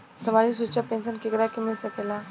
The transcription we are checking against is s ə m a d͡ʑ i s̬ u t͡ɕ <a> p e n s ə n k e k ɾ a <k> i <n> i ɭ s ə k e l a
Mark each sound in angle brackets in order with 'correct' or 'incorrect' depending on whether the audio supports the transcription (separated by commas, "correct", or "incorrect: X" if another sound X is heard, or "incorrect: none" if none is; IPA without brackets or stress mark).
correct, correct, incorrect: m